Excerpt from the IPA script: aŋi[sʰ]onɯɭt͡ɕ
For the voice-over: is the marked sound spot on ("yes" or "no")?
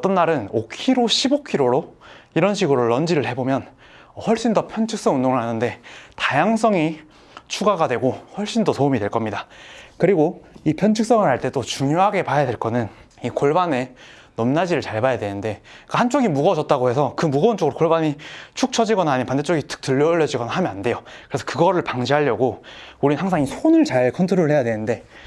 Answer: yes